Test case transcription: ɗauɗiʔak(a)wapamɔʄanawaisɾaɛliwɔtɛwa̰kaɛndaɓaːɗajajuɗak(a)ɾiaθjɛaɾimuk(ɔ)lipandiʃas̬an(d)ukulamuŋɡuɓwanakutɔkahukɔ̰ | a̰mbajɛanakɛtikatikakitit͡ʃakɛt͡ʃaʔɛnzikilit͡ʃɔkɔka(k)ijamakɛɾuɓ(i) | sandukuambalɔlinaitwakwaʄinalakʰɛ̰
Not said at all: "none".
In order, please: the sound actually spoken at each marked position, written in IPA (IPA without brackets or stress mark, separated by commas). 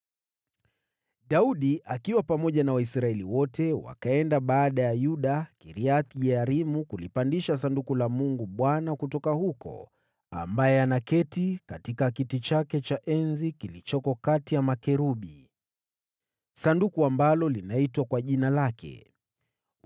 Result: i, i, u, d, t, i